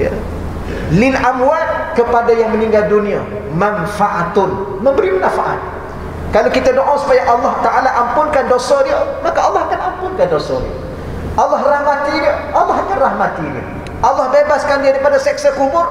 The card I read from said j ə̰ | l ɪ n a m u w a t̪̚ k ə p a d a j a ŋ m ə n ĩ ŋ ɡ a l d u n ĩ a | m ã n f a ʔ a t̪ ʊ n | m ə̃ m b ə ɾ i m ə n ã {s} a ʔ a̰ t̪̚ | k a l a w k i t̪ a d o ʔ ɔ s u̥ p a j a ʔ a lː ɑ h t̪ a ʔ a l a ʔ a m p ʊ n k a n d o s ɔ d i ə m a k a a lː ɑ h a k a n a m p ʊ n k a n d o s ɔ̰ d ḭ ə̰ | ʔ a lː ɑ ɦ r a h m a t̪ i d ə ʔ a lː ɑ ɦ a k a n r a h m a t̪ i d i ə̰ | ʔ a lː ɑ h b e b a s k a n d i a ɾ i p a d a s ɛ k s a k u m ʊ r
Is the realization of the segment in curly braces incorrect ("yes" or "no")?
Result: yes